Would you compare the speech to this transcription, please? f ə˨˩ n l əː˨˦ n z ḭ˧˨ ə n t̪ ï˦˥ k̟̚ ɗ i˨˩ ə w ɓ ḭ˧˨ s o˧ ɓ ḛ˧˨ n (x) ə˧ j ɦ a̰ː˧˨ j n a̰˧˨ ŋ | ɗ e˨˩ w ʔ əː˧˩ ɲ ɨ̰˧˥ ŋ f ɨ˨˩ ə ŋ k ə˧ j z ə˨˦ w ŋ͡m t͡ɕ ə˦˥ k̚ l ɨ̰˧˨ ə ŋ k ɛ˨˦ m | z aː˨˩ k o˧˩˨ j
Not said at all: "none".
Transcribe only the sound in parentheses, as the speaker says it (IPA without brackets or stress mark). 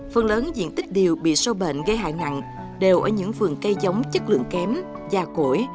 ɣ